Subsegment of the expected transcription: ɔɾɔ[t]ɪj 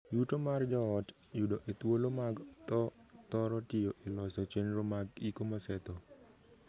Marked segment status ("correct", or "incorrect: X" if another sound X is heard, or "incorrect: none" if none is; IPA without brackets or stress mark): correct